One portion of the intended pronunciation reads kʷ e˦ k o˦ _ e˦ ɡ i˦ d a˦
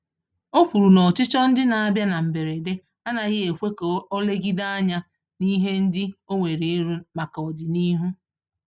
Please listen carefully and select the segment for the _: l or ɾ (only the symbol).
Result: l